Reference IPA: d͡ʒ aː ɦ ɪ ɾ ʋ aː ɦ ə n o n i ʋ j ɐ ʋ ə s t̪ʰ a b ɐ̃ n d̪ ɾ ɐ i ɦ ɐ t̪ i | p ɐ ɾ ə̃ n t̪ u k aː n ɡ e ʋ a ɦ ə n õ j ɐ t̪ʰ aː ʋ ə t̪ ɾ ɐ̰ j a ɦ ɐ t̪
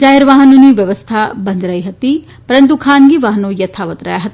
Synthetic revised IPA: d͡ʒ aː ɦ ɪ ɾ ʋ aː ɦ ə n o n i ʋ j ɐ ʋ ə s t̪ʰ a b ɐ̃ n d̪ ɾ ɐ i ɦ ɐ t̪ i | p ɐ ɾ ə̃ n t̪ u kʰ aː n ɡ i ʋ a ɦ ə n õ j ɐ t̪ʰ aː ʋ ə t̪ ɾ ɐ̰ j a ɦ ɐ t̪